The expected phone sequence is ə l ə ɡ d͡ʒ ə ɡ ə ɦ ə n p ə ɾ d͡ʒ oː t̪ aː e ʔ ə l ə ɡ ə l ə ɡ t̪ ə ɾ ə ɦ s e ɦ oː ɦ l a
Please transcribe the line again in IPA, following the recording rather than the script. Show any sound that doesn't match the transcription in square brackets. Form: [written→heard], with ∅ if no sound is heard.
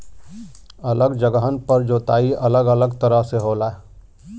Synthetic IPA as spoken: ə l ə ɡ d͡ʒ ə ɡ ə ɦ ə n p ə ɾ d͡ʒ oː t̪ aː [e→i] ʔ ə l ə ɡ ə l ə ɡ t̪ ə ɾ ə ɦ s e ɦ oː [ɦ→∅] l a